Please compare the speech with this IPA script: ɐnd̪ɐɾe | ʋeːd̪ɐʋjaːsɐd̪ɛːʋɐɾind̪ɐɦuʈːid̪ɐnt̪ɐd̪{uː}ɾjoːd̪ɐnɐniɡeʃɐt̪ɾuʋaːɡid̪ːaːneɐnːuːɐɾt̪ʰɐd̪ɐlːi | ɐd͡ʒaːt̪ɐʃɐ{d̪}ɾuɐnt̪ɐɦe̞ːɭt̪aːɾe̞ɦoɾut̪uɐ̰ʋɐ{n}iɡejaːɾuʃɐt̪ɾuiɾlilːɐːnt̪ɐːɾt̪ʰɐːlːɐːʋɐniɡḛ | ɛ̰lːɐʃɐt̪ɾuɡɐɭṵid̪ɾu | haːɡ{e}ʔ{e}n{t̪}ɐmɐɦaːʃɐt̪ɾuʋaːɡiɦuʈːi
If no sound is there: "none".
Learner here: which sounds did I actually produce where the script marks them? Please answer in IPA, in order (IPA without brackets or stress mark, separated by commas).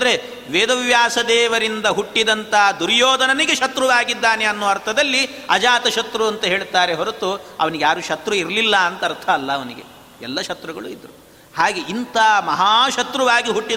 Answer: u, t̪, n, e, i, t̪